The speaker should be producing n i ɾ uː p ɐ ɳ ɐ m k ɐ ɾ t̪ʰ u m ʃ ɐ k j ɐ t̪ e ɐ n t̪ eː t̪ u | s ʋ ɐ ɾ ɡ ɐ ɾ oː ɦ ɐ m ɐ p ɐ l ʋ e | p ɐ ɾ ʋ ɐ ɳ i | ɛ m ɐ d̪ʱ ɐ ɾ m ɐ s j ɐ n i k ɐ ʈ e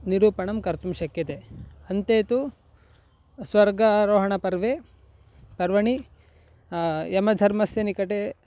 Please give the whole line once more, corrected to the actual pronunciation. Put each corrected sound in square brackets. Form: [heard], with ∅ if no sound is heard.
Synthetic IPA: n i ɾ uː p ɐ ɳ ɐ m k ɐ ɾ [t̪] u m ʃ ɐ k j ɐ t̪ e ɐ n t̪ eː t̪ u | s ʋ ɐ ɾ ɡ ɐ ɾ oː ɦ ɐ [ɳ] ɐ p ɐ [ɾ] ʋ e | p ɐ ɾ ʋ ɐ ɳ i | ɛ m ɐ d̪ʱ ɐ ɾ m ɐ s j ɐ n i k ɐ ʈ e

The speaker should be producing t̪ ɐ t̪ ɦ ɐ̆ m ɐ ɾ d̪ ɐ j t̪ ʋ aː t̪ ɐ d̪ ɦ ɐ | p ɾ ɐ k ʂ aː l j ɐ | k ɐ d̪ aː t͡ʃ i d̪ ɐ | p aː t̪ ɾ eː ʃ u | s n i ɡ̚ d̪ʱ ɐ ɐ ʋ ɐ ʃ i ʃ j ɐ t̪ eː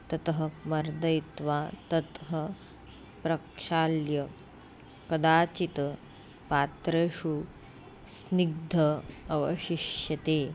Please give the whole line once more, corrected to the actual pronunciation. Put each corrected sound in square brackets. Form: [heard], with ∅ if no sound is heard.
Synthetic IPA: t̪ ɐ t̪ ɦ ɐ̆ m ɐ ɾ d̪ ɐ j t̪ ʋ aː t̪ ɐ [t̪] ɦ ɐ | p ɾ ɐ k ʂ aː l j ɐ | k ɐ d̪ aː t͡ʃ i [t̪] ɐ | p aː t̪ ɾ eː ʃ u | s n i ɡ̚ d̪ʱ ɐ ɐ ʋ ɐ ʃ i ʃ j ɐ t̪ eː

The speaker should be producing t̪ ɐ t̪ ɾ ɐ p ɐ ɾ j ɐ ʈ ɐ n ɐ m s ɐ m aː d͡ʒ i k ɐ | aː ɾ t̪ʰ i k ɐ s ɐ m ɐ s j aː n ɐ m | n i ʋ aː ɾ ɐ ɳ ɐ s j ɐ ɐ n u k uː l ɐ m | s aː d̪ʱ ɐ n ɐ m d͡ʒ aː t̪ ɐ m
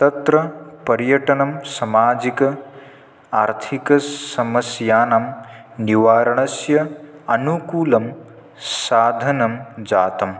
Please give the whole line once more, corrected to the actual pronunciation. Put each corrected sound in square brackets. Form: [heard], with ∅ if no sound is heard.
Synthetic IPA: t̪ ɐ t̪ ɾ ɐ p ɐ ɾ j ɐ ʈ ɐ n ɐ m s ɐ m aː d͡ʒ i k ɐ | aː ɾ t̪ʰ i k ɐ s ɐ m ɐ s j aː n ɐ m | n i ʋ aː ɾ ɐ ɳ ɐ s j ɐ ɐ n u k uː l ɐ m | s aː d̪ʱ ɐ n ɐ m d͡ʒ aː t̪ ɐ m

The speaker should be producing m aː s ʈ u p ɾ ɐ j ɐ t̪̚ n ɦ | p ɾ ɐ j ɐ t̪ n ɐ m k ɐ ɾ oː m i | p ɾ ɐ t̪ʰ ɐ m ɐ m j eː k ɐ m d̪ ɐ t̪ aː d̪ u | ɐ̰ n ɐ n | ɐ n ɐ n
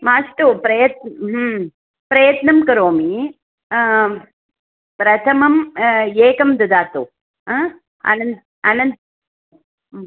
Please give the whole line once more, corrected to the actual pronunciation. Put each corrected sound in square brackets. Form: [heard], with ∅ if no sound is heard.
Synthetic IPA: m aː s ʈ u p ɾ ɐ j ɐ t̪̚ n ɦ | p ɾ ɐ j ɐ t̪ n ɐ m k ɐ ɾ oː m i | p ɾ ɐ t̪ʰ ɐ m ɐ m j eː k ɐ m d̪ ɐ [d̪] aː [t̪] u | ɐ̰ n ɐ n | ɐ n ɐ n

